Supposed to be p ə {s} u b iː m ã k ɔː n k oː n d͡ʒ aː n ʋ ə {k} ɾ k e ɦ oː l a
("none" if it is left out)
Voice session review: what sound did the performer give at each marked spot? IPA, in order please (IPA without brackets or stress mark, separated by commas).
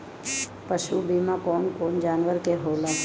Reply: ʃ, none